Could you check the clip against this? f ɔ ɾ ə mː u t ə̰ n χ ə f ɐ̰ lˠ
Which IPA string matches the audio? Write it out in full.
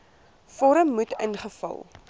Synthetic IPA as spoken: f ɔ ɾ ə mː u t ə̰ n χ ə f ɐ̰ lˠ